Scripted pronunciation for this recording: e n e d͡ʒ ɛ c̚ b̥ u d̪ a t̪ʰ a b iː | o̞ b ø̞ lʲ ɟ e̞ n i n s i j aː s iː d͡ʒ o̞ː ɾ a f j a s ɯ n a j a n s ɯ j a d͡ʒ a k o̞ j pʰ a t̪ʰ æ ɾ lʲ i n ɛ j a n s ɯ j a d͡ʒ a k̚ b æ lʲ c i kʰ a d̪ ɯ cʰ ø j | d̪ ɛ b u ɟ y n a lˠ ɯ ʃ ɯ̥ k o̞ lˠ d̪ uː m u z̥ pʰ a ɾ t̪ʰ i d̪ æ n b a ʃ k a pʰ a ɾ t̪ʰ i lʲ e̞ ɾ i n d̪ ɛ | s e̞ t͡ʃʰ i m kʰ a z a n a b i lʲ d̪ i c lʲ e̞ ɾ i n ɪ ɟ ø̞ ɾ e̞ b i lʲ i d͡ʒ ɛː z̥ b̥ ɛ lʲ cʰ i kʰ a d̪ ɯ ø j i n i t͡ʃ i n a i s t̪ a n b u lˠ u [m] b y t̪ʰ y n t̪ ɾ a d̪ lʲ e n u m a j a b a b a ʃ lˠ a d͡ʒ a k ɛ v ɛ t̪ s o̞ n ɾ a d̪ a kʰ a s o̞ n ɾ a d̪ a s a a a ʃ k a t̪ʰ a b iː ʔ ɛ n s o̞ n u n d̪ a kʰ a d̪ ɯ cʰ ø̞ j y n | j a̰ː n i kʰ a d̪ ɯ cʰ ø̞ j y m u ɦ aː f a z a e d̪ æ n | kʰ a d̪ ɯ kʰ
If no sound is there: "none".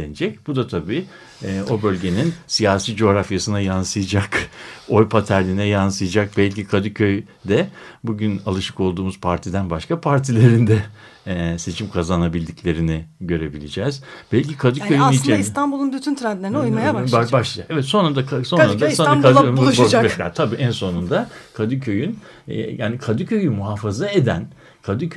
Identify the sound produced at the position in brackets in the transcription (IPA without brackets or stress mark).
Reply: n